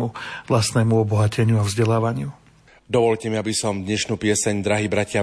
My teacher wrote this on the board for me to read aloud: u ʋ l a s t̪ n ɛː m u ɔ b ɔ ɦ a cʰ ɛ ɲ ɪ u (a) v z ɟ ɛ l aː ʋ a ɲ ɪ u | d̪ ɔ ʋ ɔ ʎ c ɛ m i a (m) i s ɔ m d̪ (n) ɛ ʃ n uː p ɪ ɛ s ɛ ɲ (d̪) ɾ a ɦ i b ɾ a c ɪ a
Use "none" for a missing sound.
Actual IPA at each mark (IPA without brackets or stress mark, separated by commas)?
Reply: a, b, ɲ, d̪